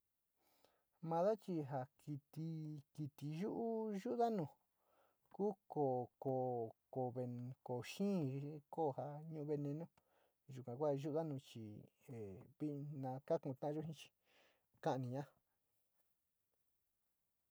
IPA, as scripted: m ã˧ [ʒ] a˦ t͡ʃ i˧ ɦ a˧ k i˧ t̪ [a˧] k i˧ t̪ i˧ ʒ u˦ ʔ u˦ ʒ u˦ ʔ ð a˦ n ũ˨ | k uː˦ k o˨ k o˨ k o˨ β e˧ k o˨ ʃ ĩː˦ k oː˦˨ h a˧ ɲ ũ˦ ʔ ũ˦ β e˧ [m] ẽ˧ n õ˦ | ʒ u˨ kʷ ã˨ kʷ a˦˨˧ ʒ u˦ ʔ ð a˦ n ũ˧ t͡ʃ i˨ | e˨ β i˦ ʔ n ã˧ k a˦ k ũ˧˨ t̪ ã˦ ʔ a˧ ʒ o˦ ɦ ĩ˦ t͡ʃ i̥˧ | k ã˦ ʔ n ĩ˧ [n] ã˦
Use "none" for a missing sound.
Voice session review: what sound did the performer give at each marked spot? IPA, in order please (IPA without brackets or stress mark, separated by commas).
ð, i˧, n, ɲ